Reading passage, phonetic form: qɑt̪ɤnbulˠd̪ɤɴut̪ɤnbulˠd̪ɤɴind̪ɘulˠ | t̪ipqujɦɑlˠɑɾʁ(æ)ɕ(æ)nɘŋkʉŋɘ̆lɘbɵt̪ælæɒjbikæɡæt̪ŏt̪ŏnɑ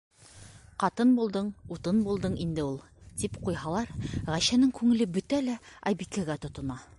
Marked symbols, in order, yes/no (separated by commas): yes, yes